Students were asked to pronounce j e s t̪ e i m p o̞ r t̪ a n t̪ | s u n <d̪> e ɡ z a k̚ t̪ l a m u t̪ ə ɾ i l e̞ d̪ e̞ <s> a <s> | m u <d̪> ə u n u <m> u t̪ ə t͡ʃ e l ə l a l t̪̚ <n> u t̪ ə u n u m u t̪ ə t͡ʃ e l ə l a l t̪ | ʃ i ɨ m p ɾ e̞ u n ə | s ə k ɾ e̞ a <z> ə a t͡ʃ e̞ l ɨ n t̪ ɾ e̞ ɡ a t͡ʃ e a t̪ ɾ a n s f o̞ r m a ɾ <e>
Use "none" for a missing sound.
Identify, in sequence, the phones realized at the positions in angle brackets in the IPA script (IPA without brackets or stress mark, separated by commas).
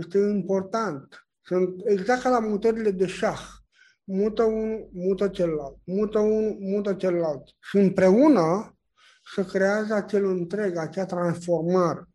t̪, ʃ, x, t̪, m, m, z, e